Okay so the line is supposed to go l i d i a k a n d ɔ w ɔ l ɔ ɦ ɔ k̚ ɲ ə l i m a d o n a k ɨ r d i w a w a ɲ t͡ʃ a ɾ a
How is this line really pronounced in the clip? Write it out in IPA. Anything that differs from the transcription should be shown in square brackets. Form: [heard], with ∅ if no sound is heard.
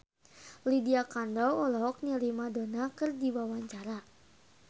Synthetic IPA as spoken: l i d i a k a n d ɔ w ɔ l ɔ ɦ ɔ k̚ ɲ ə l i m a d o n a k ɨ r d i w a w a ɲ t͡ʃ a ɾ a